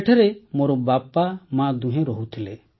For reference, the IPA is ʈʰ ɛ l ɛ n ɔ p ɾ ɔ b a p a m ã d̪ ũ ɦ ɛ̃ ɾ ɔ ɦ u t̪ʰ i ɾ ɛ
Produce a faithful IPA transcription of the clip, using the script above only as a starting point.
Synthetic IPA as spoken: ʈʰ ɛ ɾ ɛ m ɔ ɾ ɔ b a p a m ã d̪ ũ ɦ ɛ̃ ɾ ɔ ɦ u t̪ʰ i l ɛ